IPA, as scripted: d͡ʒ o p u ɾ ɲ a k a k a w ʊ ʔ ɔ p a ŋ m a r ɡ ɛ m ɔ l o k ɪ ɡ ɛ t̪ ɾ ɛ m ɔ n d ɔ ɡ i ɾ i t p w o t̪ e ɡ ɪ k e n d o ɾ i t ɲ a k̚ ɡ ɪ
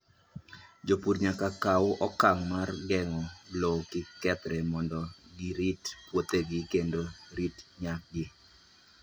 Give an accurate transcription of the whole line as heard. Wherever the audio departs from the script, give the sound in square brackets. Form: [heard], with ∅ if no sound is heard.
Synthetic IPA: d͡ʒ o p u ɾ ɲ a k a k a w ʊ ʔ ɔ [k] a ŋ m a r ɡ ɛ [ŋ] ɔ l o k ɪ [k] ɛ t̪ ɾ ɛ m ɔ n d ɔ ɡ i ɾ i t p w o t̪ e ɡ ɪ k e n d o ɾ i t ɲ a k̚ ɡ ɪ